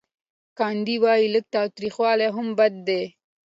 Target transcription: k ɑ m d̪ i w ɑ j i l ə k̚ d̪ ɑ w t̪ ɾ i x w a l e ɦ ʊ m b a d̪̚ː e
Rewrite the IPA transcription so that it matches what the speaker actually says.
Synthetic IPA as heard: k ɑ n d̪ i w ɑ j i l ə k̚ t̪ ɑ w t̪ ɾ i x w ɑ l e ɦ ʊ m b a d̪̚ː e